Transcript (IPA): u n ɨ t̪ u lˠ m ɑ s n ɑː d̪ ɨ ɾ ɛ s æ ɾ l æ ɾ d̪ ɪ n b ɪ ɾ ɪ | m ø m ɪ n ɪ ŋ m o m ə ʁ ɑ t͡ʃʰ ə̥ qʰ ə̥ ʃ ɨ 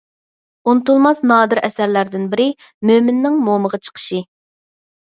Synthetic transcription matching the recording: u n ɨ t̪ u lˠ m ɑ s n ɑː d̪ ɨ ɾ ɛ s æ ɾ l æ ɾ d̪ ɪ n b ɪ ɾ ɪ | m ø m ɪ nː ɪ ŋ m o m ə ʁ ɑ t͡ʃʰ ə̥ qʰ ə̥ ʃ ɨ